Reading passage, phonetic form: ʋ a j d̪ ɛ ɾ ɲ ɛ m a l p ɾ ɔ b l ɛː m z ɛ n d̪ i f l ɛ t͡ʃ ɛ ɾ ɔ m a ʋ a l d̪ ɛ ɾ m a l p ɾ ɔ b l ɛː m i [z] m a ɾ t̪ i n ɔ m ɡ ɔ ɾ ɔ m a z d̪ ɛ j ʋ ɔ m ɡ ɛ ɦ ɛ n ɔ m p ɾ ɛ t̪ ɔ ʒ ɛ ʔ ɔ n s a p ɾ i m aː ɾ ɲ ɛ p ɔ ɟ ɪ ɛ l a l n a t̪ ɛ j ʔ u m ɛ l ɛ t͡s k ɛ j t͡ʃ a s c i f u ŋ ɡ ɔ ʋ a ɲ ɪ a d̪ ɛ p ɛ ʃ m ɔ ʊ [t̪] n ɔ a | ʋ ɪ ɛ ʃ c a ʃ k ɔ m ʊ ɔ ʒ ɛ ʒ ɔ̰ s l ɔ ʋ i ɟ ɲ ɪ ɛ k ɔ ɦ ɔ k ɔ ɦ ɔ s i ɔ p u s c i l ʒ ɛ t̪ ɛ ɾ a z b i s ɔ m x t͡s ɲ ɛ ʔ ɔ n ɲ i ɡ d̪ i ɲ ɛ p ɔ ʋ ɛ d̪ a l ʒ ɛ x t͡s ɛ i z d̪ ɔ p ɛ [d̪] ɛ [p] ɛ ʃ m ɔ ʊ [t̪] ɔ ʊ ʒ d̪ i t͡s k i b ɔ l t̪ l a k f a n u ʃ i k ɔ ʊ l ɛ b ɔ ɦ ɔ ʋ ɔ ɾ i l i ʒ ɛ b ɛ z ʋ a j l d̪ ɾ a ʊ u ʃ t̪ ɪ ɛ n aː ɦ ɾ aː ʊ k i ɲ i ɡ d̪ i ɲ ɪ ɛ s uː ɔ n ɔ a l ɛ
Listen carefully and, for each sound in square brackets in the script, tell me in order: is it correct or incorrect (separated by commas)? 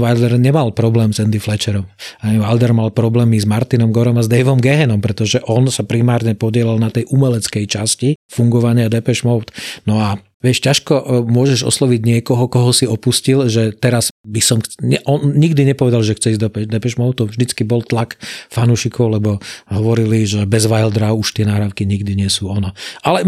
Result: correct, correct, correct, correct, correct